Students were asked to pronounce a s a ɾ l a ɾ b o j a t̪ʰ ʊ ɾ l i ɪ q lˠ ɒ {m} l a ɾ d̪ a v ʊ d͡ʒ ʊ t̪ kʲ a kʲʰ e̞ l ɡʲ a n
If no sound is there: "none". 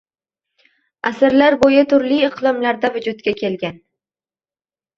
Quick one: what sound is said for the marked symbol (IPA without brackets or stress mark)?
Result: m